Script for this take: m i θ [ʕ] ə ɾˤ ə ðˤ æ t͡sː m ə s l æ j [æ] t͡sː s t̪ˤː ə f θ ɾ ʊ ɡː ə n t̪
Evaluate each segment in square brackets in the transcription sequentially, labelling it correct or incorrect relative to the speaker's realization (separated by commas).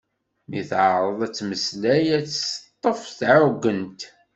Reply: correct, correct